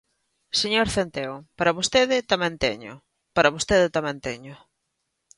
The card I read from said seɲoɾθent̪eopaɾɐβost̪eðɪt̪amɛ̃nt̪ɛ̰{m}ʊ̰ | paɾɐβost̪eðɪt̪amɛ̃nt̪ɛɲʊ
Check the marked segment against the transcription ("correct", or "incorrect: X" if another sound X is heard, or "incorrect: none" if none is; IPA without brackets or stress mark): incorrect: ɲ